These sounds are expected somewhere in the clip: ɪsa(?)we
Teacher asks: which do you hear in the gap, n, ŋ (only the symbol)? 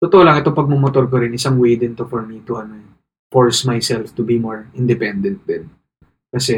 ŋ